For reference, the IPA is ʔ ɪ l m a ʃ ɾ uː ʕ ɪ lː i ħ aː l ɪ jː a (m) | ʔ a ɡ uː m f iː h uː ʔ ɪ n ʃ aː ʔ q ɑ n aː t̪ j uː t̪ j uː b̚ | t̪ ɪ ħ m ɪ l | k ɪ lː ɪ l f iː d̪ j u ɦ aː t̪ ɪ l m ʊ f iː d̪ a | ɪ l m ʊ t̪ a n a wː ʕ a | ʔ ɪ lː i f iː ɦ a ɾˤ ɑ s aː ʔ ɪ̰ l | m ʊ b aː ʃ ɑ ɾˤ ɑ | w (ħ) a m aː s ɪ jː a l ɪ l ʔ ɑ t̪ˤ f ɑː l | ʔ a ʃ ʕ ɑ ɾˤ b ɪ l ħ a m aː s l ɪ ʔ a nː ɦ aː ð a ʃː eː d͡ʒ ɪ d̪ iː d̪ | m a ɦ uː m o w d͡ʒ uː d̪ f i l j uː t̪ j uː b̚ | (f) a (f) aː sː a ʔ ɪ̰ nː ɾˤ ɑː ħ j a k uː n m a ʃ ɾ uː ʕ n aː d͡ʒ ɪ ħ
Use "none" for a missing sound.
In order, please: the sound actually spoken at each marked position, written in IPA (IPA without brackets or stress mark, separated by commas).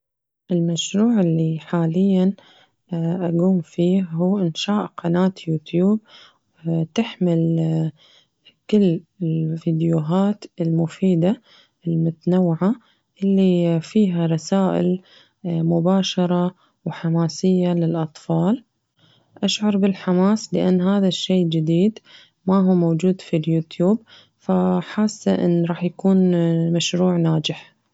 n, ħ, f, ħ